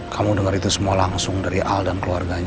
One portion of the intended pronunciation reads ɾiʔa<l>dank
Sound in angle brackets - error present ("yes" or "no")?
no